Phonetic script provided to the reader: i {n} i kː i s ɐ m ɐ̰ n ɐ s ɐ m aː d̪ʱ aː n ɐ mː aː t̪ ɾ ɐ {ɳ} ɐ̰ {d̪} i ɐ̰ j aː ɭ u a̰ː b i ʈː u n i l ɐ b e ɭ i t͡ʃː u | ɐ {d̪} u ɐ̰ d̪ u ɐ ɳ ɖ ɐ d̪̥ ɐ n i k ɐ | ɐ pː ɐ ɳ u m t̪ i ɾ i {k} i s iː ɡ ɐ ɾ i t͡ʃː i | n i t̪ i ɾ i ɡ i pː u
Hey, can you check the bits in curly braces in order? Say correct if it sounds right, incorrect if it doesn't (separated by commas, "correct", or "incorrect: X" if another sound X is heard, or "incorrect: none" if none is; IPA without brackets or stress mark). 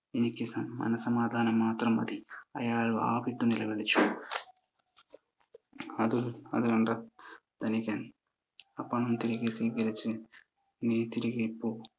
correct, incorrect: m, correct, correct, incorrect: ɡ